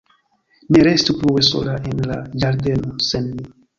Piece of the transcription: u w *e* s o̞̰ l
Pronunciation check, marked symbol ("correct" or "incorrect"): correct